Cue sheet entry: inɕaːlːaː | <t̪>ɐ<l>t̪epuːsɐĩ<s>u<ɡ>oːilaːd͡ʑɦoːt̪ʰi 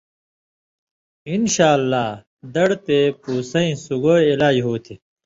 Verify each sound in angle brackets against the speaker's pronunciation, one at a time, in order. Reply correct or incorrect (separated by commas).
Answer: incorrect, incorrect, correct, correct